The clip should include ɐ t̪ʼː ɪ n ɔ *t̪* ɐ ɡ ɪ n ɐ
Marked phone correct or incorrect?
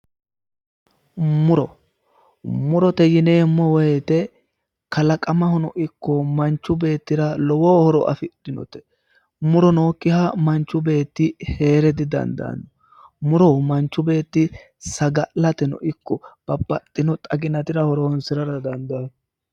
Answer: incorrect: t̪ʼ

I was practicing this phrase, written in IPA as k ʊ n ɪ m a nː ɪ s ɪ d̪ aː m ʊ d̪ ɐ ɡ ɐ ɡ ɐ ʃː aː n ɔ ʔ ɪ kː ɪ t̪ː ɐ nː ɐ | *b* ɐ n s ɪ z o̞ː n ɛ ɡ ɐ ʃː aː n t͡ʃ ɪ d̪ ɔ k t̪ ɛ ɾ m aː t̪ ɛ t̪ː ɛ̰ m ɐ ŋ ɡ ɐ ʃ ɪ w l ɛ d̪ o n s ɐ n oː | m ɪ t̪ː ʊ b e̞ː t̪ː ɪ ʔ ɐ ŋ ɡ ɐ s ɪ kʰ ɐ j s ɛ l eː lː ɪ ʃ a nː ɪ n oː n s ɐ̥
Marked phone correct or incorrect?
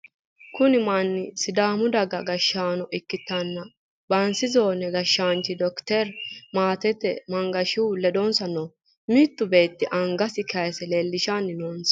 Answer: correct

